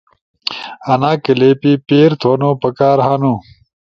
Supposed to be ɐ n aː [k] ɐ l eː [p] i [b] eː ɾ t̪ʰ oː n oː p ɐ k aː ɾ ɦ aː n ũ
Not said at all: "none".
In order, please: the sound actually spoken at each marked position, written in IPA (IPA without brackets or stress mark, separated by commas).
k, p, p